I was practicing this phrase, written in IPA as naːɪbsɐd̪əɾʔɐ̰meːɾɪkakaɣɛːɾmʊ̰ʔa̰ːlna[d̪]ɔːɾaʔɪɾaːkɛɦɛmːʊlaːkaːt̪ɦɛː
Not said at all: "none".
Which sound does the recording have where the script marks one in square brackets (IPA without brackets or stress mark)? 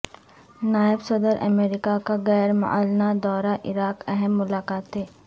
d̪